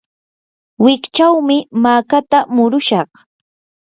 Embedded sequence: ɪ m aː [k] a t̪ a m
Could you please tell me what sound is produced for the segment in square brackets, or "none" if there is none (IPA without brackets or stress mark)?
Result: k